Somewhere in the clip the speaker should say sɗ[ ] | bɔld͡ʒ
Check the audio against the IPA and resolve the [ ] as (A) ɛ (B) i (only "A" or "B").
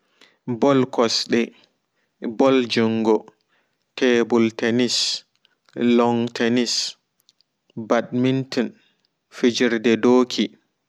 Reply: A